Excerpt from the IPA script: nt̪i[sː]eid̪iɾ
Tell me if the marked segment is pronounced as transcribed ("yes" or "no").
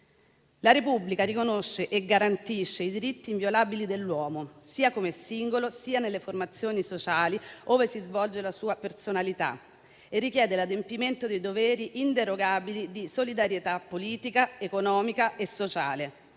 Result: no